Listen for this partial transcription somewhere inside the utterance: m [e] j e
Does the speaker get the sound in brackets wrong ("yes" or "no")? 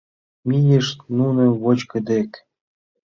yes